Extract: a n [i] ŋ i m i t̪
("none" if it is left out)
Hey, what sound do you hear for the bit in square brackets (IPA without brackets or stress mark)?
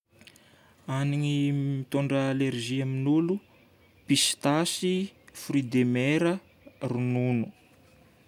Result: i